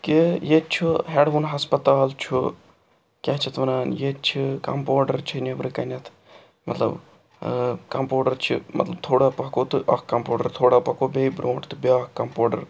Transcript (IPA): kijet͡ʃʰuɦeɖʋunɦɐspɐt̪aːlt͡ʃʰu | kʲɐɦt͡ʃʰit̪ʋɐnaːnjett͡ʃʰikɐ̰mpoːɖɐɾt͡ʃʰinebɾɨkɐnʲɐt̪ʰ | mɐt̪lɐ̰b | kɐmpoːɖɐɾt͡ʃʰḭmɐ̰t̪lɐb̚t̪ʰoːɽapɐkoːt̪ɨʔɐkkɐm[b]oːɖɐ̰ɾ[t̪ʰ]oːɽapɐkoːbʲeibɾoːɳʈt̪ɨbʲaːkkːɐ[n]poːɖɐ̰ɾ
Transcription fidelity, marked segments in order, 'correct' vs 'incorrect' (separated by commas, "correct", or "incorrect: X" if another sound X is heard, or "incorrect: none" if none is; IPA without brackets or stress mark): incorrect: p, correct, incorrect: m